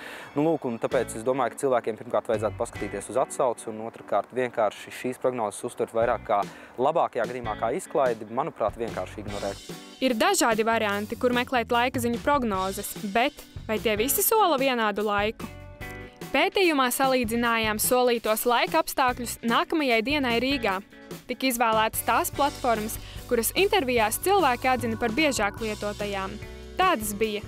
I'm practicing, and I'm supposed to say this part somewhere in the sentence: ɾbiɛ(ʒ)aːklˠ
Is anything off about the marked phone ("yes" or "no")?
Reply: no